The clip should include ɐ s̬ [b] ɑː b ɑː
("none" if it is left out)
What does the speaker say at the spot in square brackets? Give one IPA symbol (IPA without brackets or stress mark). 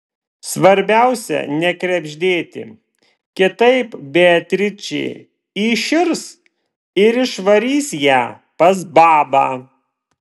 b